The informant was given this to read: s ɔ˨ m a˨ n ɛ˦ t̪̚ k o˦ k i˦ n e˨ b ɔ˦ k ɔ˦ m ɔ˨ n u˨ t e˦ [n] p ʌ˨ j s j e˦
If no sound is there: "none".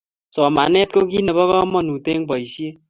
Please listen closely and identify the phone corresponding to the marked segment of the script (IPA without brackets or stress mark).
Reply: ŋ